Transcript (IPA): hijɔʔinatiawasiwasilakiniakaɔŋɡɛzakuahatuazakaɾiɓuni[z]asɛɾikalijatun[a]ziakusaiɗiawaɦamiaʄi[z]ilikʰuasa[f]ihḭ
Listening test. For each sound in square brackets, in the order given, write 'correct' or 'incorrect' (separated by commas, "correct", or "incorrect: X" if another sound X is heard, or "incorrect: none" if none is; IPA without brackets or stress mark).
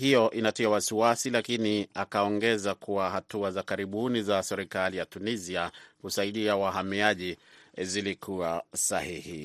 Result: correct, incorrect: i, correct, incorrect: h